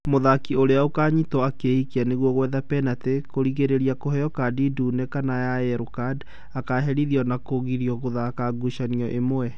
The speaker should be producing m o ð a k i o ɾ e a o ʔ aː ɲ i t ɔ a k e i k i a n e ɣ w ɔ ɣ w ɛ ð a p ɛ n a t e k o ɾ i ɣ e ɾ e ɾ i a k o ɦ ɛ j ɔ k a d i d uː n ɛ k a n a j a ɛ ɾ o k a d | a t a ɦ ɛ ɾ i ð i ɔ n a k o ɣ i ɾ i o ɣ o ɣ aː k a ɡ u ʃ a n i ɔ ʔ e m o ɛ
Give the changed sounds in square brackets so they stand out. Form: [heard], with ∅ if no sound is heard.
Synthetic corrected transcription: m o ð a k i o ɾ e a o [k] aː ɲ i t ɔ a k e i k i a n e ɣ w ɔ ɣ w ɛ ð a p ɛ n a t e k o ɾ i ɣ e ɾ e ɾ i a k o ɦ ɛ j ɔ k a d i d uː n ɛ k a n a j a ɛ ɾ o k a d | a [k] a ɦ ɛ ɾ i ð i ɔ n a k o ɣ i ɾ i [ɔ] ɣ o [ð] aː k a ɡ u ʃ a n i ɔ ʔ e m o ɛ